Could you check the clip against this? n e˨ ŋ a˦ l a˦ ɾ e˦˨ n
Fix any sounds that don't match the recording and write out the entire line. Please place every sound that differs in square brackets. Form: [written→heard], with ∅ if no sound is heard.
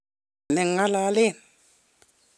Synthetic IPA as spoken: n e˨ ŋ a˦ l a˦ [ɾ→l] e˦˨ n